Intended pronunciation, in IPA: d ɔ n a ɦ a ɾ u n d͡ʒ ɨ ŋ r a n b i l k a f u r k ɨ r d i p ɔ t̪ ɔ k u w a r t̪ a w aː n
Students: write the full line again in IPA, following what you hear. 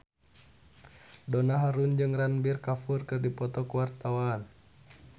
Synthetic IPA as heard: d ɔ n a ɦ a ɾ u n d͡ʒ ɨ ŋ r a n b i r k a f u r k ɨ r d i p ɔ t̪ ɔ k u w a r t̪ a w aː n